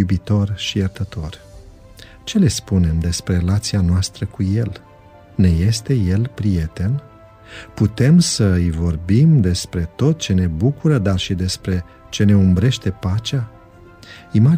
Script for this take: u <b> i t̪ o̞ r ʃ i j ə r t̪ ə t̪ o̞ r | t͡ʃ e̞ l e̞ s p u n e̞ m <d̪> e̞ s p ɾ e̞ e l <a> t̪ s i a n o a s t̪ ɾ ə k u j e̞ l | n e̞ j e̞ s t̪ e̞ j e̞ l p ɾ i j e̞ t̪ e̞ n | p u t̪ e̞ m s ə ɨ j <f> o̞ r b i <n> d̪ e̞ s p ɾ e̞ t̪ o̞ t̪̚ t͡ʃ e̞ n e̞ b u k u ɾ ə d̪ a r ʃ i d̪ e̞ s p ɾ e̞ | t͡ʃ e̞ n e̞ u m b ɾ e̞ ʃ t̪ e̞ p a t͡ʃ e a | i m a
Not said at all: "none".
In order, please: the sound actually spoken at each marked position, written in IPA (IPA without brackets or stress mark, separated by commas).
b, d̪, a, v, m